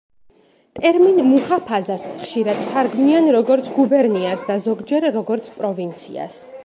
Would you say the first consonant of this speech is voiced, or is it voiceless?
voiceless